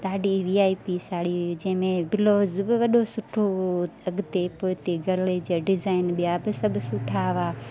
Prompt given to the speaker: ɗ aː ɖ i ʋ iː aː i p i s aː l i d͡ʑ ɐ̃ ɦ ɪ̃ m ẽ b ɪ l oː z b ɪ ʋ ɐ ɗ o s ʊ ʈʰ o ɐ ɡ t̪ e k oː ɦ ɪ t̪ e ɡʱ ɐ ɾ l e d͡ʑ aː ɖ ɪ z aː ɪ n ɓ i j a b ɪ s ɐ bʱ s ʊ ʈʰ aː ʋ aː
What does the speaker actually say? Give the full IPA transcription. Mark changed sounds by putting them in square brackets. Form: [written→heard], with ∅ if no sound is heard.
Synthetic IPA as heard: ɗ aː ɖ i ʋ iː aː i p i s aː [l→ɽ] i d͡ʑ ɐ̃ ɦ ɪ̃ m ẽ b ɪ l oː z b ɪ ʋ ɐ ɗ o s ʊ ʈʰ o ɐ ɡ t̪ e [k→p] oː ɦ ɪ t̪ e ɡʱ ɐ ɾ l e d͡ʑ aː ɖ ɪ z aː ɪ n ɓ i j a b ɪ s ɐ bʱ s ʊ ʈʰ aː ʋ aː